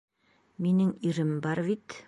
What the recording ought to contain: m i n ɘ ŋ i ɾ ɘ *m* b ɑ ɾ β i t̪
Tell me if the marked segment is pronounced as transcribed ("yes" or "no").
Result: yes